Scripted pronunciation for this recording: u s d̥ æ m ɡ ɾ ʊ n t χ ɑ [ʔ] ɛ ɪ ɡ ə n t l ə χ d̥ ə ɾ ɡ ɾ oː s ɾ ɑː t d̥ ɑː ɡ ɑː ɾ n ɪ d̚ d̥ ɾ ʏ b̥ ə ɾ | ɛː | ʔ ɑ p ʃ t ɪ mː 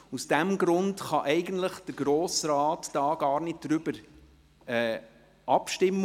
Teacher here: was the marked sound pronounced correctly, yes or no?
yes